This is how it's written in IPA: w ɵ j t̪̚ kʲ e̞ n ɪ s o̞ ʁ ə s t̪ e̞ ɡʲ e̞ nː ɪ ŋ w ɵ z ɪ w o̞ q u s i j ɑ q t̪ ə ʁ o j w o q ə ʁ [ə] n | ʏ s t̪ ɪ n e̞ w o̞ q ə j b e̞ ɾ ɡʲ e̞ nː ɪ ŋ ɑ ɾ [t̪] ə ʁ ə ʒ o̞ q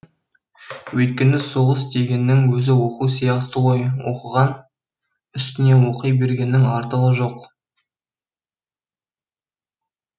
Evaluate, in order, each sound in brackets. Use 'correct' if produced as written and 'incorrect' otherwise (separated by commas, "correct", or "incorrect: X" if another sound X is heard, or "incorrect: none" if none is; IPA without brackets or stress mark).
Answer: incorrect: ɑ, correct